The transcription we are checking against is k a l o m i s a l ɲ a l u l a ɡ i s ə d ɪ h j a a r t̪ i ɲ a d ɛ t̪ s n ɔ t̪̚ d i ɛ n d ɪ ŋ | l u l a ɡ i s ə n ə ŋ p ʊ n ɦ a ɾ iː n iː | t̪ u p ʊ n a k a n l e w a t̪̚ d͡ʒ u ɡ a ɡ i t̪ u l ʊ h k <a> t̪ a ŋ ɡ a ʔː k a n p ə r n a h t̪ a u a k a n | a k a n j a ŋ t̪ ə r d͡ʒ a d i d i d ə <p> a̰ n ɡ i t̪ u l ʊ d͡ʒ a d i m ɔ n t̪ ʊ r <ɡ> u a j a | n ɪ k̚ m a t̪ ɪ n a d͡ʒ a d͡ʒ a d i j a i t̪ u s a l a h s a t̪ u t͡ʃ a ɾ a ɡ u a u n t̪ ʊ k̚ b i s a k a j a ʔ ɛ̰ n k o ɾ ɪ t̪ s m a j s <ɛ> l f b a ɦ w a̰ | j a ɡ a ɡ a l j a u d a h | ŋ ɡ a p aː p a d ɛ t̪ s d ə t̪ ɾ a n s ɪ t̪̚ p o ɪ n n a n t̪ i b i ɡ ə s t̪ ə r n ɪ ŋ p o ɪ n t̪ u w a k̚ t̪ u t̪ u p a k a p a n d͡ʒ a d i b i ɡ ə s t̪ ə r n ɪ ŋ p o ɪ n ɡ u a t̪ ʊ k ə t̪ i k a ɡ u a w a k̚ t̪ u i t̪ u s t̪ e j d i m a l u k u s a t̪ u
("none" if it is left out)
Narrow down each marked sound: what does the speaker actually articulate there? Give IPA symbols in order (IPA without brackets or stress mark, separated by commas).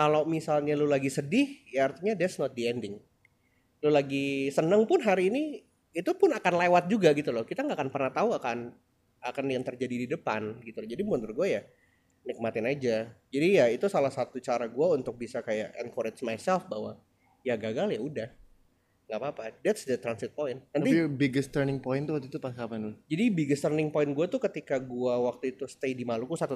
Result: i, p, ɡ, ɛ